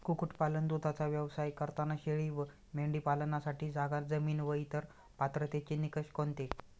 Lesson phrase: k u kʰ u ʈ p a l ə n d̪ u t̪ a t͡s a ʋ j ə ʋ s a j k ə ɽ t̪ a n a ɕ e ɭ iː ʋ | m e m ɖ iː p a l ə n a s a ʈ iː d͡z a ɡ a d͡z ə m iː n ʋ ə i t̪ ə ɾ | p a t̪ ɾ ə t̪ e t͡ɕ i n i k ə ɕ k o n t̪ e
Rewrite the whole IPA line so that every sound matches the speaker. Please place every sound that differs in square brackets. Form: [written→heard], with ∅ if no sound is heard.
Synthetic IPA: k u [kʰ→k] u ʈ p a l ə n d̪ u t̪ a t͡s a ʋ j ə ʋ s a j k ə [ɽ→ɾ] t̪ a n a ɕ e ɭ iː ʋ | m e [m→ɳ] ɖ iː p a l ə n a s a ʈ iː d͡z a ɡ a d͡z ə m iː n ʋ ə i t̪ ə ɾ | p a t̪ ɾ ə t̪ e t͡ɕ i n i k ə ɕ k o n t̪ e